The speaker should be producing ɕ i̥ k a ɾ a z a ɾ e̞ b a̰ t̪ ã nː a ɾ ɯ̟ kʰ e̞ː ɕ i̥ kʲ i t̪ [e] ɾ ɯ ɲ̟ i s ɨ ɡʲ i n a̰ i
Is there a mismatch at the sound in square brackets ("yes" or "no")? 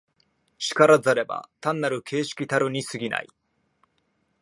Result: yes